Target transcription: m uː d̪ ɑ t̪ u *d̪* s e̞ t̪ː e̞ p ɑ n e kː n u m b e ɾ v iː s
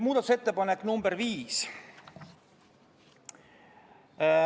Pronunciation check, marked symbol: incorrect: none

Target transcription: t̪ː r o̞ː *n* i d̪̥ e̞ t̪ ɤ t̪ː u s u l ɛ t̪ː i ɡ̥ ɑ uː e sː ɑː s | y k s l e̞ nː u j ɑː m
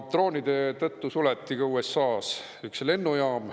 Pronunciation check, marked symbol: correct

